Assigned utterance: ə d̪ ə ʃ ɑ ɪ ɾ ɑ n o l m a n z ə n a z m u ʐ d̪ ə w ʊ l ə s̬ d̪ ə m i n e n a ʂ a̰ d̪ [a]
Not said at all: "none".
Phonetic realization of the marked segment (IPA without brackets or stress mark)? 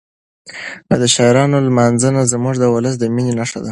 a